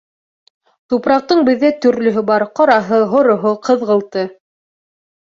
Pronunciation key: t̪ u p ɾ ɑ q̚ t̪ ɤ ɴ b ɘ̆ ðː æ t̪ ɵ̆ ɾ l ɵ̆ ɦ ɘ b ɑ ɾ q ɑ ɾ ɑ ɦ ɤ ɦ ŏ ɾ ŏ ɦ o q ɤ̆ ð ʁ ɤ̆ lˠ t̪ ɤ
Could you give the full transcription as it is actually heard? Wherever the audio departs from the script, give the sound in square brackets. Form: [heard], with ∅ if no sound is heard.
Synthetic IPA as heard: t̪ u p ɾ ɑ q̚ t̪ ɤ ɴ b ɘ̆ ðː æ t̪ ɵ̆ ɾ l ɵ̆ ɦ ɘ b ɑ ɾ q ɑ ɾ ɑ ɦ ɤ ɦ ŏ ɾ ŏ ɦ o q ɤ̆ ð ʁ ɤ̆ lˠ t̪ ɤ

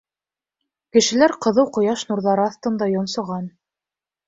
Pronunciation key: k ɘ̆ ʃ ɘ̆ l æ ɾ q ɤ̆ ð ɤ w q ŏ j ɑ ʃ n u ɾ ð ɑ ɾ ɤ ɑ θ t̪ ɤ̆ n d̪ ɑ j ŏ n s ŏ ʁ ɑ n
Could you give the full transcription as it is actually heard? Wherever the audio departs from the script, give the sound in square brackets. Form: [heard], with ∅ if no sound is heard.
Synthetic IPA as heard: k ɘ̆ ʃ ɘ̆ l æ ɾ q ɤ̆ ð ɤ w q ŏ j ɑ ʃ n u ɾ ð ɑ ɾ ɤ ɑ θ t̪ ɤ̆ n d̪ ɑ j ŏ n s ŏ ʁ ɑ n

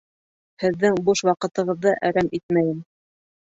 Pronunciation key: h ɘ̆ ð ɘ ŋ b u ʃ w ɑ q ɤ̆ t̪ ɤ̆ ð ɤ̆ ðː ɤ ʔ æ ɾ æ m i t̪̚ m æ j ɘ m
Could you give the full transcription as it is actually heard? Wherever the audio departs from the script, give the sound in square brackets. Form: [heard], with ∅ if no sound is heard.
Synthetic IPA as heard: h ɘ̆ [ðː] ɘ ŋ b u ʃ w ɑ q ɤ̆ t̪ ɤ̆ [ʁ] ɤ̆ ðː ɤ ʔ æ ɾ æ m i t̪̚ m æ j ɘ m

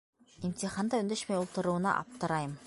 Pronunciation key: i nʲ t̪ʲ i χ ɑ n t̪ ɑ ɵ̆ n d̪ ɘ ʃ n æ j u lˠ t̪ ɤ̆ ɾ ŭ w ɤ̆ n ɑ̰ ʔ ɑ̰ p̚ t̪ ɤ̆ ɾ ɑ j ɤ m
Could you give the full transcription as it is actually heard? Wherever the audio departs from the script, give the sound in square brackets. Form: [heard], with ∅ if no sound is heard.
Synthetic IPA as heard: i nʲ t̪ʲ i χ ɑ n [d̪] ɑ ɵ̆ n d̪ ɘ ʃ [m] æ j u lˠ t̪ ɤ̆ ɾ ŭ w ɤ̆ n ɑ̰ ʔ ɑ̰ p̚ t̪ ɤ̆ ɾ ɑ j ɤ m

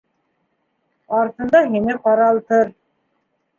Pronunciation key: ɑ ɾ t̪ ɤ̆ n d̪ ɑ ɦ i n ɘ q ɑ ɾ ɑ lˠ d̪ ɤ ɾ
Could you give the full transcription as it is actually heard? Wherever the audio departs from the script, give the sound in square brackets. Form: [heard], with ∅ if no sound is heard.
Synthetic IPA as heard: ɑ ɾ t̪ ɤ̆ n d̪ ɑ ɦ i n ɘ q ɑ ɾ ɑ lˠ [t̪] ɤ ɾ

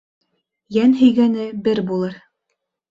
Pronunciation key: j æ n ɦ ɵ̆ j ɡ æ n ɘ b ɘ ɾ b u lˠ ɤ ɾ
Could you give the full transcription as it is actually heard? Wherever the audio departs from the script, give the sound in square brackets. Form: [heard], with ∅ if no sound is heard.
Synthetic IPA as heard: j æ n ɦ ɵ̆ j ɡ æ n ɘ b ɘ ɾ b u lˠ ɤ ɾ

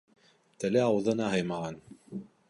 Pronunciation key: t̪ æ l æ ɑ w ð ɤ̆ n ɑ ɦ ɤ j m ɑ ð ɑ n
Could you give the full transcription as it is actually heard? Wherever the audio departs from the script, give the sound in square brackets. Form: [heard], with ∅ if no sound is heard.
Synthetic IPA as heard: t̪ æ l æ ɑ w ð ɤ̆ n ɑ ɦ ɤ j m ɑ [ʁ] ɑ n

